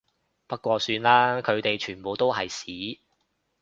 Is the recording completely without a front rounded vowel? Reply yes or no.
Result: no